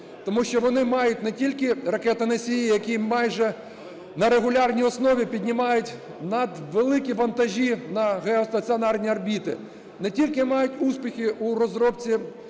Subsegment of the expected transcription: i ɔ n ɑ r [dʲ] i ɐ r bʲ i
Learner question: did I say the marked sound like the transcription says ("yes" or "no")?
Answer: no